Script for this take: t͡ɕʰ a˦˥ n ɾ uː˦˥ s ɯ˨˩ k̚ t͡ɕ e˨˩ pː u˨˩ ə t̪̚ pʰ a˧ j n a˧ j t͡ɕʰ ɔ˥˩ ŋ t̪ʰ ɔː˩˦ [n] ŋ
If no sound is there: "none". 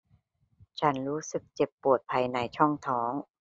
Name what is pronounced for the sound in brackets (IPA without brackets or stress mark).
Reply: none